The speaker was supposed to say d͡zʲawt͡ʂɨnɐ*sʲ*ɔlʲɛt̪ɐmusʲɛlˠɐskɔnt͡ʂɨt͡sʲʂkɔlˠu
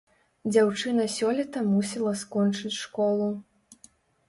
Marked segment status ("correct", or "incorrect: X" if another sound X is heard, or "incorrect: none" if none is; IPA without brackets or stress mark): correct